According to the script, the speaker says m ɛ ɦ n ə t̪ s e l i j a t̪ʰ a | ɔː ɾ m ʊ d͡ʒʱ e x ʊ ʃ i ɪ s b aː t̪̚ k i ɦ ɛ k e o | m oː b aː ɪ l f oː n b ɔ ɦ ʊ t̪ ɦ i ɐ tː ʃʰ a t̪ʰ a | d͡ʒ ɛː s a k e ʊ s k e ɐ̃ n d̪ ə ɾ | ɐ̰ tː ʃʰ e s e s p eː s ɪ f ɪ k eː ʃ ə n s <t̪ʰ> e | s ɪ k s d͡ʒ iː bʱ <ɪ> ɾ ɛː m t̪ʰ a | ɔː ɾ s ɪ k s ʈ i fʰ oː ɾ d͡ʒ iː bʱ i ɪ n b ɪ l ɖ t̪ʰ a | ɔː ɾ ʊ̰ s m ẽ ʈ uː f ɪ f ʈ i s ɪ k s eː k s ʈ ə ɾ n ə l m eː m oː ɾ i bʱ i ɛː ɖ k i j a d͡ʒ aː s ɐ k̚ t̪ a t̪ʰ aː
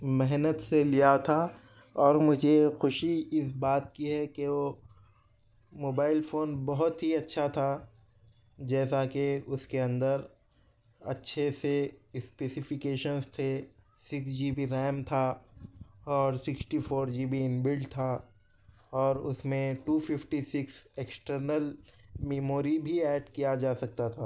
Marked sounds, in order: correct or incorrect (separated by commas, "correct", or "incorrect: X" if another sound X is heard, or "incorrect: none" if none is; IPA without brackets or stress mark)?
correct, incorrect: i